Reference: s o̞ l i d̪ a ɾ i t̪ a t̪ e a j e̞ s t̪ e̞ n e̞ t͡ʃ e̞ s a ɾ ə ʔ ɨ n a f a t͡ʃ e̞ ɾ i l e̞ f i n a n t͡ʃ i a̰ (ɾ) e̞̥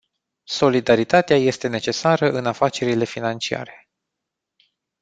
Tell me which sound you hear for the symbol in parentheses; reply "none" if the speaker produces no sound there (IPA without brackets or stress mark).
ɾ